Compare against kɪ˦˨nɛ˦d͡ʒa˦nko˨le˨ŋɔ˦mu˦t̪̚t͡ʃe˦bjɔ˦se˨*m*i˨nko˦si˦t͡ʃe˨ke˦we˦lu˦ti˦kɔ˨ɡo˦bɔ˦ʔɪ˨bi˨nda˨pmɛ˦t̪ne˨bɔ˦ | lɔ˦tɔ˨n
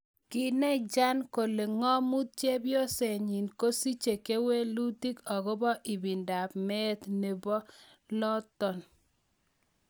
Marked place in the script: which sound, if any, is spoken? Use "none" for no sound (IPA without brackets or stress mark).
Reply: ɲ